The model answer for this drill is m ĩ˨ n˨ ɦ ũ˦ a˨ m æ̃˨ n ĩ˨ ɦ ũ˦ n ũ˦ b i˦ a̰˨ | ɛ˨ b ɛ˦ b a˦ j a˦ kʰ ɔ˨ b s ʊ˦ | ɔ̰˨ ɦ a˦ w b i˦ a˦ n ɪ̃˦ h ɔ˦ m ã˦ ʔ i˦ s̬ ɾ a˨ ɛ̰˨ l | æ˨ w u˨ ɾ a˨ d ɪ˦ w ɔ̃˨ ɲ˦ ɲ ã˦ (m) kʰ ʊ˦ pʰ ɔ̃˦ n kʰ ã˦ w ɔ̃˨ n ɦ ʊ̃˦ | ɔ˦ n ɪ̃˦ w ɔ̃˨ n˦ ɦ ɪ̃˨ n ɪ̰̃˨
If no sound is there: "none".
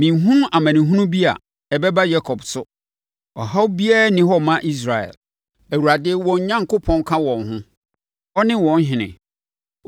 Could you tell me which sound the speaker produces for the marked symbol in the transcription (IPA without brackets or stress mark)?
ŋ